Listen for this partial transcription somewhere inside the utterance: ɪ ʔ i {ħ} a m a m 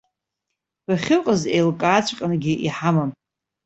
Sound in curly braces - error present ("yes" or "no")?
no